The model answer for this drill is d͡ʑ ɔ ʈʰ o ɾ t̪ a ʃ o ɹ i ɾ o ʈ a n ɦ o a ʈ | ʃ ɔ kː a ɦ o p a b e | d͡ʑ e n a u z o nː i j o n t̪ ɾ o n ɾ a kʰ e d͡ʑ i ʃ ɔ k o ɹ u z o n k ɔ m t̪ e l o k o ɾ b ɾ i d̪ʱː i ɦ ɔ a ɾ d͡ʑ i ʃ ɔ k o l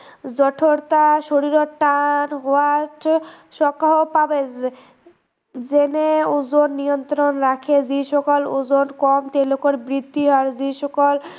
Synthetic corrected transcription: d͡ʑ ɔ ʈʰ o ɾ t̪ a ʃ o ɾ i ɾ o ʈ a n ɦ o a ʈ | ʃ ɔ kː a ɦ o p a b e | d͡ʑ e n e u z o nː i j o n t̪ ɾ o n ɾ a kʰ e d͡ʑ i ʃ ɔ k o l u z o n k ɔ m t̪ e l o k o ɾ b ɾ i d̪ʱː i ɦ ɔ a ɾ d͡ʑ i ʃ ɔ k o l